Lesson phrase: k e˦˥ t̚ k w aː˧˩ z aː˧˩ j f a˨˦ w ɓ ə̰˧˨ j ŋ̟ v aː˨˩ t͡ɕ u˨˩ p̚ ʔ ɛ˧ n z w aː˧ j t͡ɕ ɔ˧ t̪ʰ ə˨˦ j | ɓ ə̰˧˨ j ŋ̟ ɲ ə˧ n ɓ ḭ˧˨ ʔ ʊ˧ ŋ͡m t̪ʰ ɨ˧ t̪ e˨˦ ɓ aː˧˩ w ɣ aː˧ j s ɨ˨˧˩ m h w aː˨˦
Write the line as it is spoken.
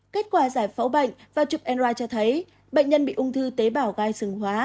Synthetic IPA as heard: k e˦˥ t̚ k w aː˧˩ z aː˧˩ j f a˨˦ w ɓ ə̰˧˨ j ŋ̟ v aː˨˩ t͡ɕ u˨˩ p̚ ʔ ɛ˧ n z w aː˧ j t͡ɕ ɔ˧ t̪ʰ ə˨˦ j | ɓ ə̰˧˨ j ŋ̟ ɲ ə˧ n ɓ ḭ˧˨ ʔ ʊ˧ ŋ͡m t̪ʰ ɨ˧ t̪ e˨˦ ɓ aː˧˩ w ɣ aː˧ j s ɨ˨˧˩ ŋ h w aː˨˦